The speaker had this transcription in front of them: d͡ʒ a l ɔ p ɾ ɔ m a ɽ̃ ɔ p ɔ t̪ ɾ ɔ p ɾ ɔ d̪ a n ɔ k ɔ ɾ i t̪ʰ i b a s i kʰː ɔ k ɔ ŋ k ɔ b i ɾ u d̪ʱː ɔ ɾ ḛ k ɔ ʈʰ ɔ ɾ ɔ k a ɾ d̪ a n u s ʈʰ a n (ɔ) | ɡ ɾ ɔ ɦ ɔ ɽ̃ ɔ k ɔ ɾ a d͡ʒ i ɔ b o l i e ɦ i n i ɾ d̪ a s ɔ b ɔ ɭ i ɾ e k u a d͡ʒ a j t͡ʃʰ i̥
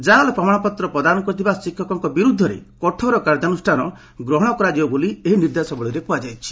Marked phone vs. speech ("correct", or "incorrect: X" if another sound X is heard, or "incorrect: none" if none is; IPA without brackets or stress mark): correct